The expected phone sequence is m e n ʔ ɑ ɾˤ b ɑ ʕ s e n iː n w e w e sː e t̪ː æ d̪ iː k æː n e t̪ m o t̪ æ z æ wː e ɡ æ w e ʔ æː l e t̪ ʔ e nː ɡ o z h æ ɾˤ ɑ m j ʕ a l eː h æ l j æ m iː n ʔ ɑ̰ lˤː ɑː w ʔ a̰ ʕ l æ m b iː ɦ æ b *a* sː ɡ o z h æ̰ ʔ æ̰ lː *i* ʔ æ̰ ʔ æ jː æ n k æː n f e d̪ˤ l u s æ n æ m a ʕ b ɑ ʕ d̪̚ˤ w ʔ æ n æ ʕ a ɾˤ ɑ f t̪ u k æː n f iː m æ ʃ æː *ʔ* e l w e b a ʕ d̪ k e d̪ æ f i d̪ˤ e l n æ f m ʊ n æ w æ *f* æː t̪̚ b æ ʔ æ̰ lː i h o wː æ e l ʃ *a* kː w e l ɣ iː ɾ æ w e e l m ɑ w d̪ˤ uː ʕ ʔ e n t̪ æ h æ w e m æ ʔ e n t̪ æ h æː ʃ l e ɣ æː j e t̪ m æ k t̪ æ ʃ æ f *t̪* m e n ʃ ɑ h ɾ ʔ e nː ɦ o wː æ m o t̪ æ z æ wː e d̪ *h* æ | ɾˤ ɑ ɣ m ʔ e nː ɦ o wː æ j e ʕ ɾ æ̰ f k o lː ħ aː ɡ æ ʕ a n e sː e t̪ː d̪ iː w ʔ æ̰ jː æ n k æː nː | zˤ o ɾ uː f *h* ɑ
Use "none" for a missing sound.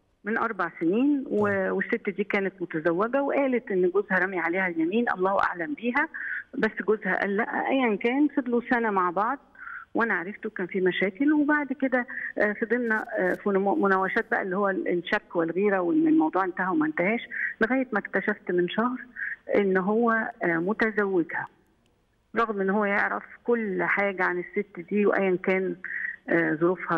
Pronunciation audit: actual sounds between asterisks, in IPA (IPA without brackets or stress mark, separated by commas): æ, æ, k, ʃ, æ, t̪, h, h